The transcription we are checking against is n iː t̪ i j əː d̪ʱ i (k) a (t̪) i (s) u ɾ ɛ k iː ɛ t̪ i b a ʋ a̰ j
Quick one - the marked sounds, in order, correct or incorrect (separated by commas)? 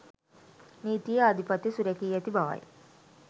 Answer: incorrect, correct, correct